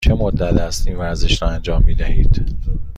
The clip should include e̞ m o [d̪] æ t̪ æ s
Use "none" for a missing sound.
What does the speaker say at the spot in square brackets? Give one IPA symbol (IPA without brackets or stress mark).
d̪ː